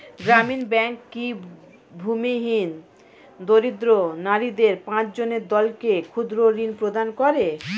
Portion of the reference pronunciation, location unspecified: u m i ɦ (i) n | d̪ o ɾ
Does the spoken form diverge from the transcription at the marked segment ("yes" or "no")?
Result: no